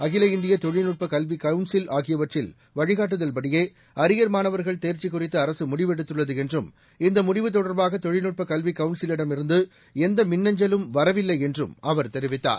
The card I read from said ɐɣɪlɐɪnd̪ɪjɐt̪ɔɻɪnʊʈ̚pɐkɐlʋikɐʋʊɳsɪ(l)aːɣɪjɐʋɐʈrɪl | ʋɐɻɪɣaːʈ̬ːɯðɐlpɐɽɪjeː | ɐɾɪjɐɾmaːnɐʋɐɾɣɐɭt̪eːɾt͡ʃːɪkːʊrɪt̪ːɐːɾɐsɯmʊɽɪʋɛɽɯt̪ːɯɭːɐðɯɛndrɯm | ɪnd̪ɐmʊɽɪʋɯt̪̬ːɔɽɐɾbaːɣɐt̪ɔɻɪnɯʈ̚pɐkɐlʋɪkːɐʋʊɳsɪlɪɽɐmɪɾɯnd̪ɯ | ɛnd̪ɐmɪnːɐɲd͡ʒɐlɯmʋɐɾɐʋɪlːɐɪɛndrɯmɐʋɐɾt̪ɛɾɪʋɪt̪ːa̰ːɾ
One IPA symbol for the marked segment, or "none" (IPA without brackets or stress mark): l